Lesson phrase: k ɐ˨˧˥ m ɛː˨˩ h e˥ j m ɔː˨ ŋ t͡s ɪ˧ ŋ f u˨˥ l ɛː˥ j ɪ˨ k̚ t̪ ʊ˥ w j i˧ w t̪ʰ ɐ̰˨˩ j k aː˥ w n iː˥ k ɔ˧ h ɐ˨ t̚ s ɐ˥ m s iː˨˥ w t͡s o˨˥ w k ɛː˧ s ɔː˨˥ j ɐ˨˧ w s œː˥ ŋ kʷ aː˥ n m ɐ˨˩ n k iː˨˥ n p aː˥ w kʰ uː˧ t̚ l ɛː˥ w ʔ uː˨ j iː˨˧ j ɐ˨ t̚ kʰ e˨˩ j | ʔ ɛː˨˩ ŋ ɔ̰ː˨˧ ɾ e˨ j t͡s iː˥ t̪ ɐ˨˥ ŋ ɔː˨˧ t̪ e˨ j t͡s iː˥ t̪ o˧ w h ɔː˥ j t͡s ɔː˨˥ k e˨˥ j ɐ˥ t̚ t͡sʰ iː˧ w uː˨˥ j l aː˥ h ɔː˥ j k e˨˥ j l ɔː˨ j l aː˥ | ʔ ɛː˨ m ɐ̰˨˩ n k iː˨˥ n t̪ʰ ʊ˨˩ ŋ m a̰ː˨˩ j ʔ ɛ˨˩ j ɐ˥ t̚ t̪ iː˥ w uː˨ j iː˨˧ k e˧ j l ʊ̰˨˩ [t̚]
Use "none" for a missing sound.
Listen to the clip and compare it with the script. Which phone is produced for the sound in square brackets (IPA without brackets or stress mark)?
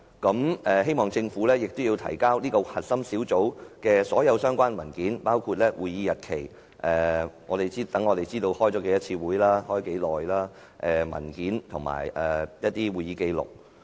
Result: k̚